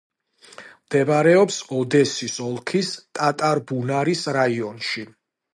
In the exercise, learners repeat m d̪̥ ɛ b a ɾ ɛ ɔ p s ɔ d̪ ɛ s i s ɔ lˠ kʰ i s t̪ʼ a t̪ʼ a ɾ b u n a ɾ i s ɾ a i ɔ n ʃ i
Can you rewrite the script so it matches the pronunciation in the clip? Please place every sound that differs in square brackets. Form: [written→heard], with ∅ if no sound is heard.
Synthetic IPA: m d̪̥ ɛ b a ɾ ɛ ɔ p s ɔ d̪ ɛ s i s ɔ lˠ kʰ i s t̪ʼ a t̪ʼ a ɾ b u n a ɾ i s ɾ a i ɔ n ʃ i